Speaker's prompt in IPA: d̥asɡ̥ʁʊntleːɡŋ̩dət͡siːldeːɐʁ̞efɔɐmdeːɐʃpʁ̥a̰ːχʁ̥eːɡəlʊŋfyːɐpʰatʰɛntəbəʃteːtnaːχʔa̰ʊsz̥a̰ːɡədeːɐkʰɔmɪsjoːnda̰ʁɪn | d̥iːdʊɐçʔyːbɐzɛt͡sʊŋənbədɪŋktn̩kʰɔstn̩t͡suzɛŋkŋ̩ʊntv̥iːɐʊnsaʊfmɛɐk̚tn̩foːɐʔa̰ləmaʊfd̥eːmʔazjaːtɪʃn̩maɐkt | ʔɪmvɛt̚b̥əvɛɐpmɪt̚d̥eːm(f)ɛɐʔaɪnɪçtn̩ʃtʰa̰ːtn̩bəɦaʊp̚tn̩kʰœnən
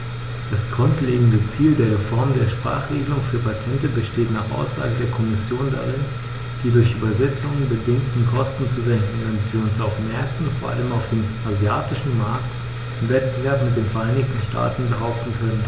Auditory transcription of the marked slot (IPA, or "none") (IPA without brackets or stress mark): f